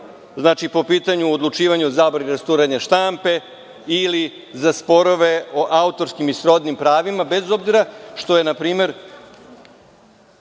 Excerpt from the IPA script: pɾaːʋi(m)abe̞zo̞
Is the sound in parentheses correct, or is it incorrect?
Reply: correct